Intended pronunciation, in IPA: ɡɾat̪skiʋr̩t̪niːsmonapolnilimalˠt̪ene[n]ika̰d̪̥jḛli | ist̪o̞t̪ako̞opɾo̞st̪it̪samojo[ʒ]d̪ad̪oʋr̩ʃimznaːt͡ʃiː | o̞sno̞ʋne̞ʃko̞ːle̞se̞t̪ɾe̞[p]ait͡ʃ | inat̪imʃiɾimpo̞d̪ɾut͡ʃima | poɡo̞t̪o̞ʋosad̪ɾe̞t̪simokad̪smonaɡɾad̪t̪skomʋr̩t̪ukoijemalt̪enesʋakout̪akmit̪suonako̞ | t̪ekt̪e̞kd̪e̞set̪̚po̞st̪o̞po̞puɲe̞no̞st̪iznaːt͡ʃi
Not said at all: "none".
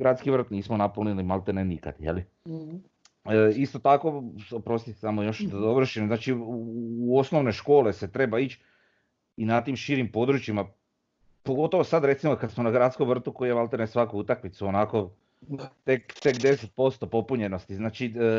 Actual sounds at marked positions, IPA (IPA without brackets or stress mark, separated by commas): n, ʃ, b